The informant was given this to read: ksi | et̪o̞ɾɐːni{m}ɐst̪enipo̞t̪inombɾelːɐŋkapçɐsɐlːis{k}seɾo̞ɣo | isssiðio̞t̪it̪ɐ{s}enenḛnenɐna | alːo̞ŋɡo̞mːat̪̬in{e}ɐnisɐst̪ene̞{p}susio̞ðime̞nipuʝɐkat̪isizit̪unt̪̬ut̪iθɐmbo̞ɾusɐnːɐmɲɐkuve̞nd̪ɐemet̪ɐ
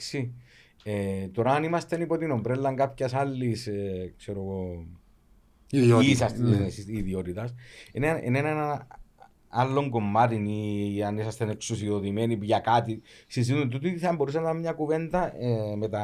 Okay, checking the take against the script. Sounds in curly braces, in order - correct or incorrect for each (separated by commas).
correct, correct, correct, incorrect, incorrect